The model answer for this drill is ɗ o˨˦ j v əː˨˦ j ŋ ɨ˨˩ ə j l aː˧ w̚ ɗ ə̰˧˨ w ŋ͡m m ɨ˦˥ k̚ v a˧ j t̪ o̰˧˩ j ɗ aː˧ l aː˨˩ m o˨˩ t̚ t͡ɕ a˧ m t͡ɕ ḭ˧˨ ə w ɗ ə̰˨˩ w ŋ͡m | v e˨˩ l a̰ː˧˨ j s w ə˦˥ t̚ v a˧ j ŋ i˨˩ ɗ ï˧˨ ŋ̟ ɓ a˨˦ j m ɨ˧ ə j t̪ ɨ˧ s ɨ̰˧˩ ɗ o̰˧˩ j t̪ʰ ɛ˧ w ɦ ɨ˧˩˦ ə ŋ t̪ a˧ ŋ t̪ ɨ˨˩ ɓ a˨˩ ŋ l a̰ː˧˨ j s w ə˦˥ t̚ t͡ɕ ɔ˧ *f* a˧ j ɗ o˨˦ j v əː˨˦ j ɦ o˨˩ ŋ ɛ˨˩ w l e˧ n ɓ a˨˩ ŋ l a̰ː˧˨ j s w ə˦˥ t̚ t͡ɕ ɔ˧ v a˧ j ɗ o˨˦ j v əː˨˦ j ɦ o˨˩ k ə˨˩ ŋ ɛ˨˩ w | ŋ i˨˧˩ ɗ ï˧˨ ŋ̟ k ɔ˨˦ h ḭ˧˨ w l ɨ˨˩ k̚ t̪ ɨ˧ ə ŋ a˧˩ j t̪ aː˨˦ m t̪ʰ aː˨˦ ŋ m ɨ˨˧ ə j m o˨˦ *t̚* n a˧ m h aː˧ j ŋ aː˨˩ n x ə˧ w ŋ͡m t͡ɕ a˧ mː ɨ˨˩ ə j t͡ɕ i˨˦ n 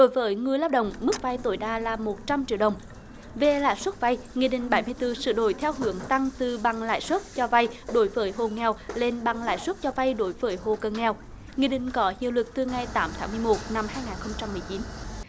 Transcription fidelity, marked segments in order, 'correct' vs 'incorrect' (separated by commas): incorrect, correct